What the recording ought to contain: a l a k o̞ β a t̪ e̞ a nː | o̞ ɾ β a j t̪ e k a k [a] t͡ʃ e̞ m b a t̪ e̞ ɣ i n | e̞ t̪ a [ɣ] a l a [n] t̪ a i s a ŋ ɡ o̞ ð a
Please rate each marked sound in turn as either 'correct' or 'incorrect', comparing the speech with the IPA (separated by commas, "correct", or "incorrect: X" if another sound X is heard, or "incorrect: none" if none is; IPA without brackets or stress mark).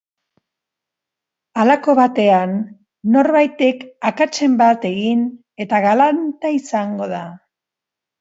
correct, correct, correct